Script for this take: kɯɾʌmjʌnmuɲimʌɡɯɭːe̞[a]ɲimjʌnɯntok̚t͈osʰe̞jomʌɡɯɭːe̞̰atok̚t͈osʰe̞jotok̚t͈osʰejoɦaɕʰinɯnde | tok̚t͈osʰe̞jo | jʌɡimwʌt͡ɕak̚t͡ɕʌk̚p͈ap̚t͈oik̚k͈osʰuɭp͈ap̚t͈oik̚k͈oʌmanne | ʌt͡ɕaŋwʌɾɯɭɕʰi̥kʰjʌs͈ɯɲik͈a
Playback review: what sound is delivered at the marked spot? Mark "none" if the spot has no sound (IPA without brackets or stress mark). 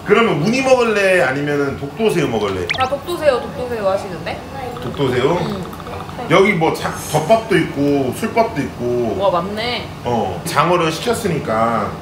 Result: a